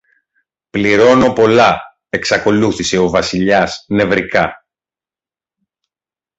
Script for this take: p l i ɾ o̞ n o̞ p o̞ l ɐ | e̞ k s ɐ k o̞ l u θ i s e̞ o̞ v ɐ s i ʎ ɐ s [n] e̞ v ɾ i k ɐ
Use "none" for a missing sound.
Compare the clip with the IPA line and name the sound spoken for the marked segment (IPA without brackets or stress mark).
n